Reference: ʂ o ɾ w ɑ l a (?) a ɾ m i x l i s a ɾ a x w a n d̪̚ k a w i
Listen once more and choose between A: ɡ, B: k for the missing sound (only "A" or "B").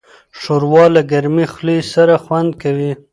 A